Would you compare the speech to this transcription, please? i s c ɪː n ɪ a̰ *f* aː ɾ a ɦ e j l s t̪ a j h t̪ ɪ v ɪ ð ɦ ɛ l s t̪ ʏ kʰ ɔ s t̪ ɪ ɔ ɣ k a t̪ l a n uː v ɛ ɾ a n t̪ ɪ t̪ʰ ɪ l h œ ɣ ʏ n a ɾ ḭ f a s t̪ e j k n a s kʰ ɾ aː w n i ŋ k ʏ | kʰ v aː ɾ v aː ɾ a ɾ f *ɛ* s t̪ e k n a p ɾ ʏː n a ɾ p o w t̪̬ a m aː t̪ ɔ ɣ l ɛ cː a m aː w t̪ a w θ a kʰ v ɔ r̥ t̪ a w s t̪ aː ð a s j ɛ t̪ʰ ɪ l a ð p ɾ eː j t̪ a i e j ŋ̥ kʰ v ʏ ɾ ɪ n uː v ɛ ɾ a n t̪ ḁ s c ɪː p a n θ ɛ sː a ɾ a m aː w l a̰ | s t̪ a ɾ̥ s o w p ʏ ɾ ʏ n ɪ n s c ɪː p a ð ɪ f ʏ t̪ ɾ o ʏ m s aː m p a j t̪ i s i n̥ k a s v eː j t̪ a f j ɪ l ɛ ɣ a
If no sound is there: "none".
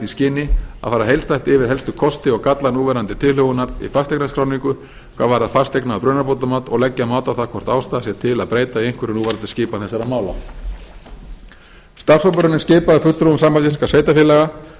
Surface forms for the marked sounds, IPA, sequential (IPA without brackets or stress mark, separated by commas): f, a